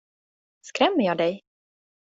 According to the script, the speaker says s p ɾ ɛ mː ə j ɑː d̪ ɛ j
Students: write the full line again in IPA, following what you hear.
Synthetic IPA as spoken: s k ɾ ɛ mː ə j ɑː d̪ ɛ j